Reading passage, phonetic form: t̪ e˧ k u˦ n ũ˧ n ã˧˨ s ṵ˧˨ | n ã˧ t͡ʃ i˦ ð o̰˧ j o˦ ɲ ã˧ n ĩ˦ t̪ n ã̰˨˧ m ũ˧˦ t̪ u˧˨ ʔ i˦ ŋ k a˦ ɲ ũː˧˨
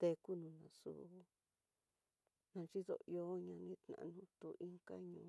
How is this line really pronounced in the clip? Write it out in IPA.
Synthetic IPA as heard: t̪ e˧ k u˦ n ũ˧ n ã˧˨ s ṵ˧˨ | n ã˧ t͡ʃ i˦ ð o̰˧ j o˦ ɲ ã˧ n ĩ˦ t̪ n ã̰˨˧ n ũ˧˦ t̪ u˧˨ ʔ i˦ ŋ k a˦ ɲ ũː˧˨